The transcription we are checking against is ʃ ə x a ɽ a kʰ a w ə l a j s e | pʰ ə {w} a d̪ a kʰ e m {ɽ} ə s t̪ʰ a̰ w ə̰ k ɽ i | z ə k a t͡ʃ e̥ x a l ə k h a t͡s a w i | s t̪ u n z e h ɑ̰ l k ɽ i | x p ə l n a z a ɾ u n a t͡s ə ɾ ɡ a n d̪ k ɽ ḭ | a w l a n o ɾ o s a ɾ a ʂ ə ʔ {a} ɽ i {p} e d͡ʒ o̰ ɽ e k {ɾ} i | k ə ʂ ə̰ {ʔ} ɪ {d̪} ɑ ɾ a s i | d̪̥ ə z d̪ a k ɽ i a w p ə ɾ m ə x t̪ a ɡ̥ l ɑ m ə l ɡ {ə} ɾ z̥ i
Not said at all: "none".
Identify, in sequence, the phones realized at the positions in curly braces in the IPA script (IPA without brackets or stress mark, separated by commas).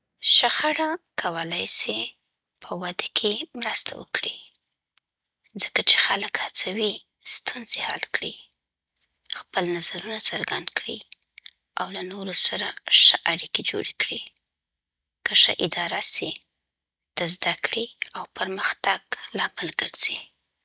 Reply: w, ɾ, a, k, ɽ, ʔ, d̪, ə